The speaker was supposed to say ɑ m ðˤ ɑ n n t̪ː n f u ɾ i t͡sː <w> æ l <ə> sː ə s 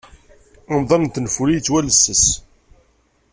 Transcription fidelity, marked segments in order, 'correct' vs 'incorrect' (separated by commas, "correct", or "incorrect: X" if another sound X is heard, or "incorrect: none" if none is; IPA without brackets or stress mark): correct, correct